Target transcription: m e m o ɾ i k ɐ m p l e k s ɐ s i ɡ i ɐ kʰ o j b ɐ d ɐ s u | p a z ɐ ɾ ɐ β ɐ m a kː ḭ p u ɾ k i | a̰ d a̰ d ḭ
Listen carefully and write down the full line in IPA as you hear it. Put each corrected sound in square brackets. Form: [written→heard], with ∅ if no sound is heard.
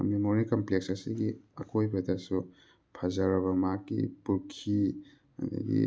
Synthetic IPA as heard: m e m o ɾ i k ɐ m p l e k s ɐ s i ɡ i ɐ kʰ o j b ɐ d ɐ s u | [p→pʰ] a z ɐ ɾ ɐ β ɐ m a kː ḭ p u ɾ [k→kʰ] i | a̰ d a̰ [d→ɡ] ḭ